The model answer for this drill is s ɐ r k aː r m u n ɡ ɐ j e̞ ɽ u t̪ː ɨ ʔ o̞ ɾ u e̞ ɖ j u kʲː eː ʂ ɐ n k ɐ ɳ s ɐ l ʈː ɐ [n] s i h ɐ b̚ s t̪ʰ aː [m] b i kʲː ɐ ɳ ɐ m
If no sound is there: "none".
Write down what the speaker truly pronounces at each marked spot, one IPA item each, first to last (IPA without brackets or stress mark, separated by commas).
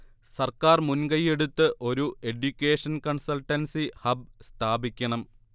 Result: n, none